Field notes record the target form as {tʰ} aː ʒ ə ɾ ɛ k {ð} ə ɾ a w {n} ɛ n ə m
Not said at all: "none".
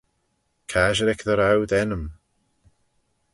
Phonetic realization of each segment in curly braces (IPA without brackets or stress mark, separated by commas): kʰ, ð, d